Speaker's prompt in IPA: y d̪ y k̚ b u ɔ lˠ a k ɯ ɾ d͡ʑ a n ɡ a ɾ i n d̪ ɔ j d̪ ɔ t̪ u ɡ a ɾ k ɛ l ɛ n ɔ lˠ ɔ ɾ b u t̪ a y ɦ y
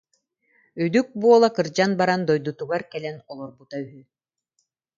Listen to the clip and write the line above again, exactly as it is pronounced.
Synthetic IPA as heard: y d̪ y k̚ b u ɔ lˠ a k ɯ ɾ d͡ʑ a n b a ɾ a n d̪ ɔ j d̪ u t̪ u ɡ a ɾ k ɛ l ɛ n ɔ lˠ ɔ ɾ b u t̪ a y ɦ y